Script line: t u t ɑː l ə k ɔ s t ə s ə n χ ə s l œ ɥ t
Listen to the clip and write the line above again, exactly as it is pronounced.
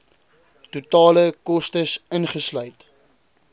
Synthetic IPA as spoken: t u t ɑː l ə k ɔ s t ə s ə n χ ə s l œ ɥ t